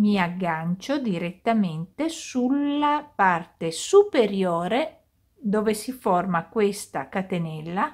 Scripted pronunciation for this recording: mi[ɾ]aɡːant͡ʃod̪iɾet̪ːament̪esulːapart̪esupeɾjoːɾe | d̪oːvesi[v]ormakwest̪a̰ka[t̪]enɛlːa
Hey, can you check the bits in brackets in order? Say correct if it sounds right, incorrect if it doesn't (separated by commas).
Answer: incorrect, incorrect, correct